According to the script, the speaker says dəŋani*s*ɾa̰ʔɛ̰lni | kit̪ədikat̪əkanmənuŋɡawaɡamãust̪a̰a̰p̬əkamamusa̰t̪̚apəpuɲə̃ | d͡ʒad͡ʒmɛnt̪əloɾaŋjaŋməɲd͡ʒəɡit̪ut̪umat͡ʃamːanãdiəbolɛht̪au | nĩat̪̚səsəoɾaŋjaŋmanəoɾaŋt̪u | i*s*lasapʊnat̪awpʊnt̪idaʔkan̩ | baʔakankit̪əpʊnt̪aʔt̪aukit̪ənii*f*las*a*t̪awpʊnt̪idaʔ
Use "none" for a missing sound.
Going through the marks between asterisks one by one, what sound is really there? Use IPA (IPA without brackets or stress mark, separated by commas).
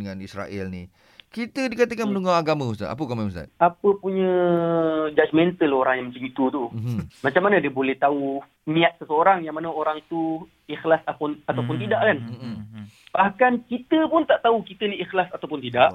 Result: s, x, x, a